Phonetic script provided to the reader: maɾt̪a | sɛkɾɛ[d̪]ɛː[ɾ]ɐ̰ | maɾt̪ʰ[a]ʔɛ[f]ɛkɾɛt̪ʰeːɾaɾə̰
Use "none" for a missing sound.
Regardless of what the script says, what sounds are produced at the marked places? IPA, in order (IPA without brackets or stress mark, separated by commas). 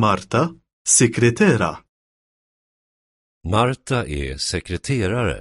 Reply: t̪, ɾ, a, s